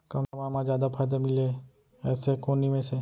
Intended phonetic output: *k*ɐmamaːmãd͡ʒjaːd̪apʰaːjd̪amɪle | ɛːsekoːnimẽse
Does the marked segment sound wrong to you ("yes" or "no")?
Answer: no